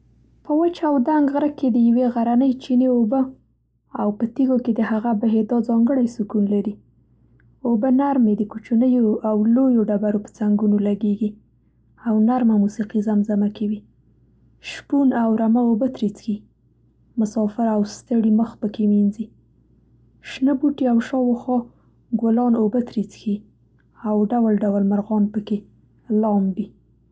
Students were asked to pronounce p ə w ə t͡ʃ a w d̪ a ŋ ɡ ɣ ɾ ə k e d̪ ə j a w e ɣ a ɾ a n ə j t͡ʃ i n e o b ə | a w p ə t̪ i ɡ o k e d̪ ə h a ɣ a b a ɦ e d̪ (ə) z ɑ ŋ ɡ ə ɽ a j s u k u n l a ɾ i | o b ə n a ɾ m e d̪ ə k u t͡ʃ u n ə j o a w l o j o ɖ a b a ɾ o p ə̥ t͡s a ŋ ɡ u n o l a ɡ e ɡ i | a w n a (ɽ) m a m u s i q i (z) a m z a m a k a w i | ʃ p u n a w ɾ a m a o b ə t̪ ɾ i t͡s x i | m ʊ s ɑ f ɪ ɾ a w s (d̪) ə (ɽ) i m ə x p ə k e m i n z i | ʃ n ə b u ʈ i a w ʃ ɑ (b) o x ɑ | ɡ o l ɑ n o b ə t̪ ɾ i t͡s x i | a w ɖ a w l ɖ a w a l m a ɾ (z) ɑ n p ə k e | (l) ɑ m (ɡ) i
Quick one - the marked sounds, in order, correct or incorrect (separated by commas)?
incorrect, incorrect, correct, incorrect, correct, incorrect, incorrect, correct, incorrect